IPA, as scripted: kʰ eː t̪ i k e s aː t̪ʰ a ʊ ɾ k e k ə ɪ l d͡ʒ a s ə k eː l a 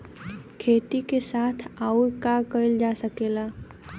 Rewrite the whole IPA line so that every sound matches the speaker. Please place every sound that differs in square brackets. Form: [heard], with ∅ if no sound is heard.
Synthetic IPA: kʰ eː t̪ i k e s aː t̪ʰ a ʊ ɾ k [a] k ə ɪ l d͡ʒ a s ə k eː l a